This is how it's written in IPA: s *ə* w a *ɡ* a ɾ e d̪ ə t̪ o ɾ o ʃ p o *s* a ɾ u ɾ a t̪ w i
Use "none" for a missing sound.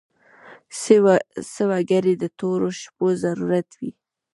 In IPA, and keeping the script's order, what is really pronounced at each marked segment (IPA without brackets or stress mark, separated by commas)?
ə, ɡ, z